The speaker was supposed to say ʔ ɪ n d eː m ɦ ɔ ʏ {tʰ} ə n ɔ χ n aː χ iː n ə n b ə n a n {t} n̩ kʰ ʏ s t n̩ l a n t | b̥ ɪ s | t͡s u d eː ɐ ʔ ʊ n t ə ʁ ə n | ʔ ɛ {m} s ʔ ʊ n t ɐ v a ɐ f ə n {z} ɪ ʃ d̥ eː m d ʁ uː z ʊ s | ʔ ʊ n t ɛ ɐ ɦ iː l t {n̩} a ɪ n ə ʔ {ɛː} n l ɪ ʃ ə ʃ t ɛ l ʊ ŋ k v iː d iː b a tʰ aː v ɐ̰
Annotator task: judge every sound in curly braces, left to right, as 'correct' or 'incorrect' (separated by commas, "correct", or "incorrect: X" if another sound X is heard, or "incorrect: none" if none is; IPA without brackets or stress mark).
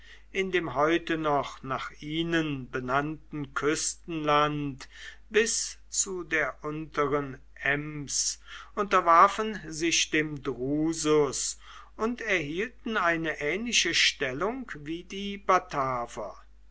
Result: incorrect: t, correct, correct, correct, correct, correct